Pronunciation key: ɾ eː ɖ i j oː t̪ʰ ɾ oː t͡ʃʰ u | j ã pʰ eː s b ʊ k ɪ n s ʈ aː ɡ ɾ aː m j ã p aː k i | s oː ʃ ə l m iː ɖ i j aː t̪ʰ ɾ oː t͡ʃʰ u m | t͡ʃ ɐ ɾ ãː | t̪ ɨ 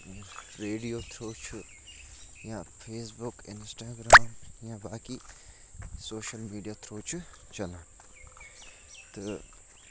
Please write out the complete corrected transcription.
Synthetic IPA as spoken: ɾ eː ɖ i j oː t̪ʰ ɾ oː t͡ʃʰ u | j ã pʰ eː s b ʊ k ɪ n s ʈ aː ɡ ɾ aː m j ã b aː k i | s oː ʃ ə l m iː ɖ i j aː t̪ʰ ɾ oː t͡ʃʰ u | t͡ʃ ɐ l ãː | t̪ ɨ